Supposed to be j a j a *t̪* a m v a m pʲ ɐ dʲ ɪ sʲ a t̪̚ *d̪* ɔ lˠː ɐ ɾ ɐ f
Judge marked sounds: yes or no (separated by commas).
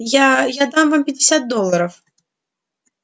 no, yes